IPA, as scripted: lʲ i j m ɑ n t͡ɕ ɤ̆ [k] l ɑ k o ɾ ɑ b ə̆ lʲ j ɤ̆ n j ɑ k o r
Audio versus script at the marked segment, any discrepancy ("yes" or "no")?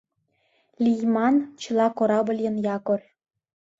yes